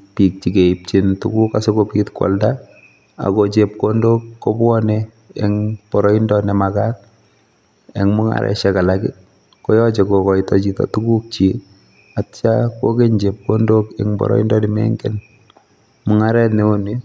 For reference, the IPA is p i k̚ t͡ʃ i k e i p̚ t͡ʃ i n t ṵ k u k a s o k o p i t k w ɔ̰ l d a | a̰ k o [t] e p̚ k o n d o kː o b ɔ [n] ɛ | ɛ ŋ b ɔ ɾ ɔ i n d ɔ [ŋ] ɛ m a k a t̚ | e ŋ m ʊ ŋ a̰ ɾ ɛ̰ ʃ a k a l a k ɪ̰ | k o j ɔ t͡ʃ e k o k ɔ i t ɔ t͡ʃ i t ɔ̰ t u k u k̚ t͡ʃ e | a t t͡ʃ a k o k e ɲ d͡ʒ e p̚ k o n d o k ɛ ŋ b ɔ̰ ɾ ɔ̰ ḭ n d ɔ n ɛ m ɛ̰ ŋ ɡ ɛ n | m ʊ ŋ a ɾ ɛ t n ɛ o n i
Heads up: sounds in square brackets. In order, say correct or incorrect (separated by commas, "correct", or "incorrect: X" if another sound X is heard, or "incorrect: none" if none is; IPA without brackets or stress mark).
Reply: incorrect: t͡ʃ, correct, incorrect: n